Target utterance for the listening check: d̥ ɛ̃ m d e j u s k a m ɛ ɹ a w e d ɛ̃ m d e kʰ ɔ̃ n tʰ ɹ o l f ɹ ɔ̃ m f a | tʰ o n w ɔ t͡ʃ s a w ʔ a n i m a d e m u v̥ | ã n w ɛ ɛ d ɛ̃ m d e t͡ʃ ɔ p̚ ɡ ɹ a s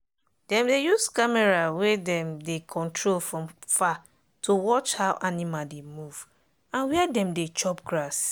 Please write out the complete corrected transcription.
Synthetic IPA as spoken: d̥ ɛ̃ m d e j u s k a m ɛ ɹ a w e d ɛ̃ m d e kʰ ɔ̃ n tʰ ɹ o l f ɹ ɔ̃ m f a | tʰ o w ɔ t͡ʃ h a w ʔ a n i m a d e m u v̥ | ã n w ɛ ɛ d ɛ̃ m d e t͡ʃ ɔ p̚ ɡ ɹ a s